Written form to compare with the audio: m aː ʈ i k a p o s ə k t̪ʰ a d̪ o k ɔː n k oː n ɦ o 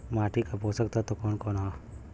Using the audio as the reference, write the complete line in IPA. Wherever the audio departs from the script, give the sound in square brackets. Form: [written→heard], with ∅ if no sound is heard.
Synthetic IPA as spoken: m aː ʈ i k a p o s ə k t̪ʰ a [d̪→t̪] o k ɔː n k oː n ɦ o